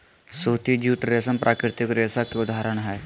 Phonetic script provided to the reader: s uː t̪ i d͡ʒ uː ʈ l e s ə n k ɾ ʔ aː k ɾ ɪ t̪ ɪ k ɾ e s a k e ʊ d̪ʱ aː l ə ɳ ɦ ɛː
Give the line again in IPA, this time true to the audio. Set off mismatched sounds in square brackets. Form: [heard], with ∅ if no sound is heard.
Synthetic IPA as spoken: s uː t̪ i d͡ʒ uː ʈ [ɾ] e s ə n [p] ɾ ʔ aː k ɾ ɪ t̪ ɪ k ɾ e s a k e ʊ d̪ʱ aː [ɾ] ə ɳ ɦ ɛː